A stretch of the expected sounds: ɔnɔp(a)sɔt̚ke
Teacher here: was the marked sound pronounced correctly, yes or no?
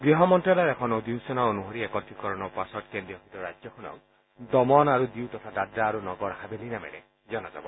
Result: yes